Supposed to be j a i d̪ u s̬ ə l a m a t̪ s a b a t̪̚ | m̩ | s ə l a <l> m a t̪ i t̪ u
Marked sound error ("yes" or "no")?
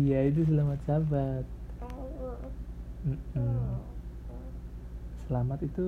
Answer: yes